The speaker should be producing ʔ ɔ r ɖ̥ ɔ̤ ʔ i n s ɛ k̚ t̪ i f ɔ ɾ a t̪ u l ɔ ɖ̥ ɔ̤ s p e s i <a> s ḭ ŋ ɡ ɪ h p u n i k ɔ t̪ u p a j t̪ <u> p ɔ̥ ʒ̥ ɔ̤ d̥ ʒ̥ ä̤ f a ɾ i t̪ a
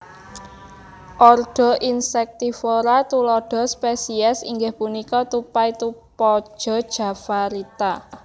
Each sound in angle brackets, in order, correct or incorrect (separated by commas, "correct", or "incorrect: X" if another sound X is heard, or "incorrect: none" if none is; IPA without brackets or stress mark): incorrect: ɛ, correct